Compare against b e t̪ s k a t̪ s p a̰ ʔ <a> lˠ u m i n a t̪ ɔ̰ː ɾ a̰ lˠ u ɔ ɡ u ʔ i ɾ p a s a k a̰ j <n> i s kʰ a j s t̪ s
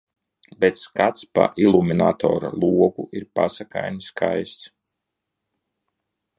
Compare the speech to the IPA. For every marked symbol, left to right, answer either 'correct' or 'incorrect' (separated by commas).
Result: incorrect, correct